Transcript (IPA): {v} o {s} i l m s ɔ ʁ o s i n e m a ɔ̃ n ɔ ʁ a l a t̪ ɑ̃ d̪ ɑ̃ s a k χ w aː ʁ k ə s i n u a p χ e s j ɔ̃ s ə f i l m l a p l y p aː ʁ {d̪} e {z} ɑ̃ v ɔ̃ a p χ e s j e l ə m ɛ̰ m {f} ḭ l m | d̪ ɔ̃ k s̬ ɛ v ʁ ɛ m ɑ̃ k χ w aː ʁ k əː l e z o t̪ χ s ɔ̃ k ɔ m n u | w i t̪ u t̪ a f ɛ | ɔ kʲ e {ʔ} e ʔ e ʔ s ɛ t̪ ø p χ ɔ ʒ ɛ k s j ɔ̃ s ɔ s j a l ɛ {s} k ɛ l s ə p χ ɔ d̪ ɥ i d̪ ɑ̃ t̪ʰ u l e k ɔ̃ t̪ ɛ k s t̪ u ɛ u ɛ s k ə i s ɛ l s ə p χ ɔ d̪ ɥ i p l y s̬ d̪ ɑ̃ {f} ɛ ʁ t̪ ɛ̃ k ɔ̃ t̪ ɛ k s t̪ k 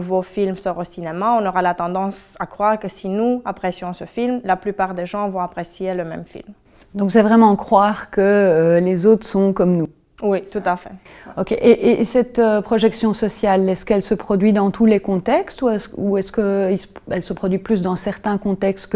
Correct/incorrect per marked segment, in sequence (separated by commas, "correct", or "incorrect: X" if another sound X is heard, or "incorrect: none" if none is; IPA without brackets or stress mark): correct, incorrect: f, correct, incorrect: ʒ, correct, correct, correct, incorrect: s